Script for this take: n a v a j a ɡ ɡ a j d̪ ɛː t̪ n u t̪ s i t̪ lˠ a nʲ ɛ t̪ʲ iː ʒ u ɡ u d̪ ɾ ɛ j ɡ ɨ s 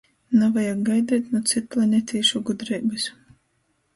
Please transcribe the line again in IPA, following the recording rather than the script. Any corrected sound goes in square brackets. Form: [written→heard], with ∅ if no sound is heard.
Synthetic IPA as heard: n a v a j a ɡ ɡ a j d̪ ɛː t̪ n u t̪ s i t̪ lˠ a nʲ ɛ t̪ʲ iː [ʒ→ʃ] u ɡ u d̪ ɾ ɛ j [ɡ→b] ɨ s